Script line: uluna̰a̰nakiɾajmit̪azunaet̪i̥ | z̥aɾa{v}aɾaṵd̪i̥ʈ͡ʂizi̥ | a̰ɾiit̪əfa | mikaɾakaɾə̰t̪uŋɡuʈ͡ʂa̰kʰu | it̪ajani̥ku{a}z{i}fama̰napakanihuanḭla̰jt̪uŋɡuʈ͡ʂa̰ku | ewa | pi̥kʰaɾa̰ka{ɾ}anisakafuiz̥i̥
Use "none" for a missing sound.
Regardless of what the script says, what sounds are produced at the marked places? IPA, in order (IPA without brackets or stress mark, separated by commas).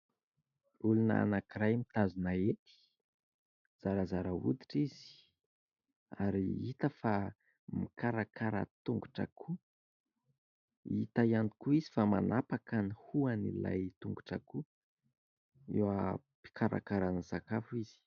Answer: z, i, i, ɾ